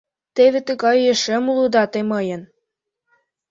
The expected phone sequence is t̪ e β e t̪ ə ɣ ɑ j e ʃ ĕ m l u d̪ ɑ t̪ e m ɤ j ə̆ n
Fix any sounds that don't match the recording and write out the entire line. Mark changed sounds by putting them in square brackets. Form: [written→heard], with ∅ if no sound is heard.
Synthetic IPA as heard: t̪ e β e t̪ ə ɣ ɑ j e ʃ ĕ m l u d̪ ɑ t̪ e m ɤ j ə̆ n